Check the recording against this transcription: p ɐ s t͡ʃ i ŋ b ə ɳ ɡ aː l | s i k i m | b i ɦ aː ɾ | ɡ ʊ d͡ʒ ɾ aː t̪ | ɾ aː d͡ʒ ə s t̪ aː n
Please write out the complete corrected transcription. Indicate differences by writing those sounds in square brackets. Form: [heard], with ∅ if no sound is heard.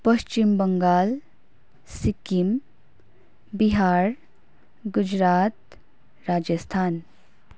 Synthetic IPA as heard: p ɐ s t͡ʃ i [m] b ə [ŋ] ɡ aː l | s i k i m | b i ɦ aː ɾ | ɡ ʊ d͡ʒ ɾ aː t̪ | ɾ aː d͡ʒ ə s [t̪ʰ] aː n